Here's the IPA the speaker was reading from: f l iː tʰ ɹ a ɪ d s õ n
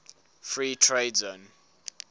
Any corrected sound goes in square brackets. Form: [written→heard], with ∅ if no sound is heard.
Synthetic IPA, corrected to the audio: f [l→ɹ] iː tʰ ɹ [a→e] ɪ d [s→z] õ n